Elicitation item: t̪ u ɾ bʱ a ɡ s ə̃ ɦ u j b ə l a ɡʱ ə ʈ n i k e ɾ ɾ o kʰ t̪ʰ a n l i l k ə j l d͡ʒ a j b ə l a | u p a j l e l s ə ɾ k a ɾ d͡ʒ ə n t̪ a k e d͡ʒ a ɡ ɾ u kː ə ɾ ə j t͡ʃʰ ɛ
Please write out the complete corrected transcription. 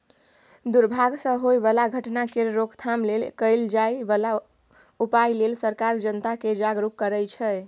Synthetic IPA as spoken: d̪ u ɾ bʱ a ɡ s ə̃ ɦ o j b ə l a ɡʱ ə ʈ n a k e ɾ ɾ o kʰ t̪ʰ a m l e l k ə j l d͡ʒ a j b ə l a | u p a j l e l s ə ɾ k a ɾ d͡ʒ ə n t̪ a k e d͡ʒ a ɡ ɾ u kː ə ɾ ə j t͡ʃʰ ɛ